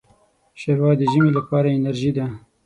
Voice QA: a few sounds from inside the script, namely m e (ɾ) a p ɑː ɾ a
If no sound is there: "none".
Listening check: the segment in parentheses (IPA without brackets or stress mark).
l